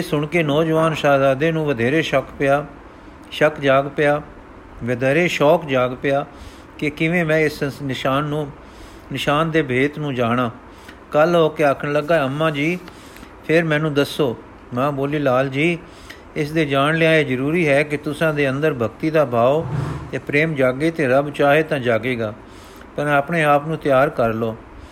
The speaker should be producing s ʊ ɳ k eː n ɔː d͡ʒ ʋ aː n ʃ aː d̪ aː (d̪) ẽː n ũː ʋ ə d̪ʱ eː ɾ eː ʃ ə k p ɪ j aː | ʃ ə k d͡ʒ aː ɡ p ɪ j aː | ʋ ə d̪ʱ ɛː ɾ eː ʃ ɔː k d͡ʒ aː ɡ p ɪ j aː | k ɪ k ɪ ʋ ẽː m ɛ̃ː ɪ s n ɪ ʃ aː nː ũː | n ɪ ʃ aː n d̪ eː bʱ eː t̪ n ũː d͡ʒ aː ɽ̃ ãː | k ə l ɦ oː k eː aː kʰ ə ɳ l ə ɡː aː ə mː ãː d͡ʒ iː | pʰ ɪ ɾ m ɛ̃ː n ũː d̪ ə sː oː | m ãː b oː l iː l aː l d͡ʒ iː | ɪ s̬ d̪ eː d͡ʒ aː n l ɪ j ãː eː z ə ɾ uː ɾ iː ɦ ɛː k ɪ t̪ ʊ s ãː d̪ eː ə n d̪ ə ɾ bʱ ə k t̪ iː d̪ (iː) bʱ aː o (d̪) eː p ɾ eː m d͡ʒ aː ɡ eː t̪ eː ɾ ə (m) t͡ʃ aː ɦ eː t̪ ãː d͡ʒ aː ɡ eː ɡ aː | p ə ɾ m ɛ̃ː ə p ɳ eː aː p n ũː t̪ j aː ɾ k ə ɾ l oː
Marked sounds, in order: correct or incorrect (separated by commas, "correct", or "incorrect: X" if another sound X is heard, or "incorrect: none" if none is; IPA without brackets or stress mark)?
correct, incorrect: aː, incorrect: t̪, incorrect: b